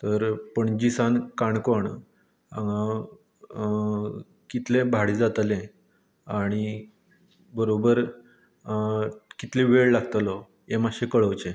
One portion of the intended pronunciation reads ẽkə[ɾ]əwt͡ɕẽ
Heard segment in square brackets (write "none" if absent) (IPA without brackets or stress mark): ɭ